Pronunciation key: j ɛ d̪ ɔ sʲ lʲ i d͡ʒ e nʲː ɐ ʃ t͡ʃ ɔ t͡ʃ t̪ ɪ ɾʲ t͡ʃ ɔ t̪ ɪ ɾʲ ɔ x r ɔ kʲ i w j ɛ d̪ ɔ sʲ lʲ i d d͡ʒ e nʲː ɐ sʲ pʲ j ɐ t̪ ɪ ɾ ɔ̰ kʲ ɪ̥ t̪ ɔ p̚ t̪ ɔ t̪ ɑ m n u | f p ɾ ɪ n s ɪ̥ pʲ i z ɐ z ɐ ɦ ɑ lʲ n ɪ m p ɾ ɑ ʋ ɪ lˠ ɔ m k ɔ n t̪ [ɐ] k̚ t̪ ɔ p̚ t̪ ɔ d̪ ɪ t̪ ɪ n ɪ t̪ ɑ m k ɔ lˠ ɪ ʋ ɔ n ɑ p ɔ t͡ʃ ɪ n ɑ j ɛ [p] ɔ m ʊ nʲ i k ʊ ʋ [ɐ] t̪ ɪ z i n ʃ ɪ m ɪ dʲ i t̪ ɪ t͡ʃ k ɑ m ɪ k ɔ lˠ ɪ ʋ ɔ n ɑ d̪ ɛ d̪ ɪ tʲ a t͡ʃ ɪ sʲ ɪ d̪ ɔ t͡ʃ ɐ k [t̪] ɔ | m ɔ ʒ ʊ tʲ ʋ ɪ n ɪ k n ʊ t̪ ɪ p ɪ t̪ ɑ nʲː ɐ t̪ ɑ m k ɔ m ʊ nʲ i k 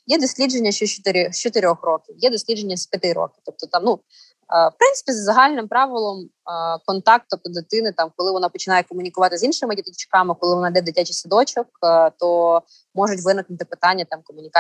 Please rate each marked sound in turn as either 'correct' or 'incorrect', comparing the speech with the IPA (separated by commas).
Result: incorrect, incorrect, incorrect, correct